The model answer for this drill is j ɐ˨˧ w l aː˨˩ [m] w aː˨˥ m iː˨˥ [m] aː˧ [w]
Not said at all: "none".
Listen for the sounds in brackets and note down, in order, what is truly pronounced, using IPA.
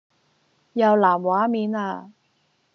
m, n, none

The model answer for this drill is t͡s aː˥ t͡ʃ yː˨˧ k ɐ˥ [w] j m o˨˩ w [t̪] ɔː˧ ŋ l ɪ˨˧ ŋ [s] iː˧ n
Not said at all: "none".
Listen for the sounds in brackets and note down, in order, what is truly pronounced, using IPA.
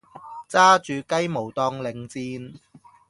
none, t̪, t͡s

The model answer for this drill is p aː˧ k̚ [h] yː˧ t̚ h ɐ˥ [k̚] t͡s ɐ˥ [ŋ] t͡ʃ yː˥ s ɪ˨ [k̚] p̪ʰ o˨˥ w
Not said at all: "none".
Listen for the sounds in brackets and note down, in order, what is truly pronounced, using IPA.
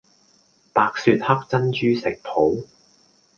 s, k̚, n, k̚

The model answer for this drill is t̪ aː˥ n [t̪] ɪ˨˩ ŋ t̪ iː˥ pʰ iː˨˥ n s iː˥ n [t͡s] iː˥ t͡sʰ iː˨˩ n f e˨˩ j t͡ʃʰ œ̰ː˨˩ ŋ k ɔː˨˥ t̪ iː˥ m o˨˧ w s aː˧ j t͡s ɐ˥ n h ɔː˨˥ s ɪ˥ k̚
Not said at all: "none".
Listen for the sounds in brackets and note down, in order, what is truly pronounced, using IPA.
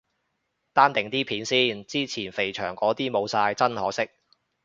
t̪, t͡s

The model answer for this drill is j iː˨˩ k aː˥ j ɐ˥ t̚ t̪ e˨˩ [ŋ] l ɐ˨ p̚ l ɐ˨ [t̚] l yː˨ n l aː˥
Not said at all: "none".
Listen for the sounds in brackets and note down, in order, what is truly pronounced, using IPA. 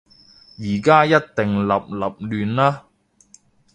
ŋ, p̚

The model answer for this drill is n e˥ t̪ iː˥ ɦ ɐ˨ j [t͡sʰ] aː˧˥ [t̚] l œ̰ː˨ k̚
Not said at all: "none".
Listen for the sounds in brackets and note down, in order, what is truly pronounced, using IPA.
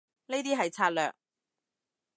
t͡sʰ, t̚

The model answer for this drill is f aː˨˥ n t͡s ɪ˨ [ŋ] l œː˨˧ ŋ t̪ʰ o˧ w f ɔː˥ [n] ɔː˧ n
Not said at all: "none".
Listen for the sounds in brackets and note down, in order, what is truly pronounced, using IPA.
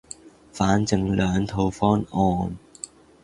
ŋ, n

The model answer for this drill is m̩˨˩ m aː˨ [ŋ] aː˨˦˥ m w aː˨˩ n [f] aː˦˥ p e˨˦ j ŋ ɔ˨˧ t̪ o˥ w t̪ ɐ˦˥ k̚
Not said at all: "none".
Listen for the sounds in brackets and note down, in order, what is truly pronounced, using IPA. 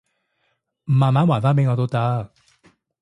m, f

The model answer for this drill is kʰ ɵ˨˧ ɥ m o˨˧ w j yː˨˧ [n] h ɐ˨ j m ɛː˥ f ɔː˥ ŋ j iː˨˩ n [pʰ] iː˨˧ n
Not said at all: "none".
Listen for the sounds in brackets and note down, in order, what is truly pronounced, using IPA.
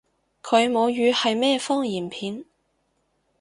none, pʰ

